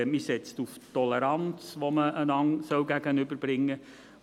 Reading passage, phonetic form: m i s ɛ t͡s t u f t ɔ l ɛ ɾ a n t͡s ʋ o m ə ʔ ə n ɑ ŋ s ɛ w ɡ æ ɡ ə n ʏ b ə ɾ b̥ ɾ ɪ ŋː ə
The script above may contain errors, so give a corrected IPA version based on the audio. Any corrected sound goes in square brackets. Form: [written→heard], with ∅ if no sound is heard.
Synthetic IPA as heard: m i s ɛ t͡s t u f t ɔ l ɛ ɾ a n t͡s ʋ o m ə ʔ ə n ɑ ŋ s [ɛ→œ] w ɡ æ ɡ ə n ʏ b ə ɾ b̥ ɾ ɪ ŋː ə